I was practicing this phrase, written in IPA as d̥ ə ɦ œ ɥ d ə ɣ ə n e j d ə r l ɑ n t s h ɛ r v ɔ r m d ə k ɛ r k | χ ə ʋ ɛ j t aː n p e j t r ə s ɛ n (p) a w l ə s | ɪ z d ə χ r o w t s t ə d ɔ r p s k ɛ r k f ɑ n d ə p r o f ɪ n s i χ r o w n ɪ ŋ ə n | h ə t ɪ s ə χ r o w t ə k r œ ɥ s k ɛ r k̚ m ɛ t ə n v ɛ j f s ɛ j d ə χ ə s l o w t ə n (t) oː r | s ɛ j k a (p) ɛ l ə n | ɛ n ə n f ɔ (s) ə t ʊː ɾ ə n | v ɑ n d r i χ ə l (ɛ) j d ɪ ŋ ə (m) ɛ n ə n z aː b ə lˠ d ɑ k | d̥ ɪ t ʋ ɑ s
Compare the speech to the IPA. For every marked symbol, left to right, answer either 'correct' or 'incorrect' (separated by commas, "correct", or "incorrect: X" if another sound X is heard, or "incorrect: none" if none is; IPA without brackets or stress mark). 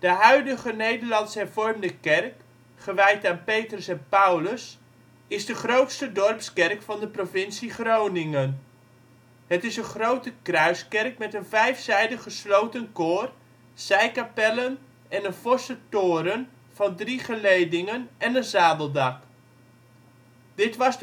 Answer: correct, incorrect: k, correct, correct, incorrect: e, incorrect: n